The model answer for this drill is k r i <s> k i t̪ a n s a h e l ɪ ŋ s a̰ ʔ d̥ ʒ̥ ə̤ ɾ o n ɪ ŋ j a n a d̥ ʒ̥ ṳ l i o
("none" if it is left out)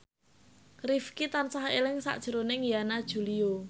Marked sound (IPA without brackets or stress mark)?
f